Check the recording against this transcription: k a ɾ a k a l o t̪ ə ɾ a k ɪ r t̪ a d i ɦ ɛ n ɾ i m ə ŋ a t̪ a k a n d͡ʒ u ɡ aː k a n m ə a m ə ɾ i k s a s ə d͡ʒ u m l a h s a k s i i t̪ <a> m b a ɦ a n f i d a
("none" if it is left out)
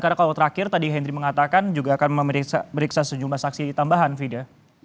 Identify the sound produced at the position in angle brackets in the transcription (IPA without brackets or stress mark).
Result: a